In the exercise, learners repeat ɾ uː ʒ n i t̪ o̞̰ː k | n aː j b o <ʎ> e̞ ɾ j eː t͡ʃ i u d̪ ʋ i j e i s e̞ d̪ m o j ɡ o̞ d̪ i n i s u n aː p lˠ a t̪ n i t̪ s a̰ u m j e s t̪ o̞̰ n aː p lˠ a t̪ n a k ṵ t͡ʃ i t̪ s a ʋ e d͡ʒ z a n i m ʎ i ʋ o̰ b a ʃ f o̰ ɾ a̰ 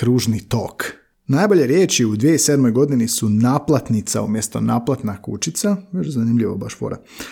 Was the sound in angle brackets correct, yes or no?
yes